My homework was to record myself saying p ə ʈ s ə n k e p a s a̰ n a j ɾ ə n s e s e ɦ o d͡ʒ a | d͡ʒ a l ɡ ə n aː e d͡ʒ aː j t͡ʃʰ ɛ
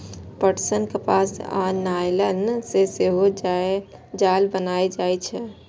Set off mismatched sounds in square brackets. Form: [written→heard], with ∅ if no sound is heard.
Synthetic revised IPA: p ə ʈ s ə n k e p a s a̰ n a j [ɾ→l] ə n s e s e ɦ o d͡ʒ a | d͡ʒ a l [ɡ→b] ə n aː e d͡ʒ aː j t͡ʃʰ ɛ